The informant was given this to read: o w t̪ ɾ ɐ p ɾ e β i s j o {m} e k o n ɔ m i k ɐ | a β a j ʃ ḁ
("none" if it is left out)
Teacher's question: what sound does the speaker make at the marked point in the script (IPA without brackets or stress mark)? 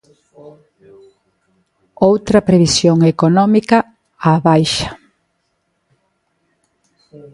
ŋ